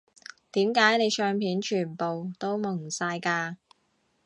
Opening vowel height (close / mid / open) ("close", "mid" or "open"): close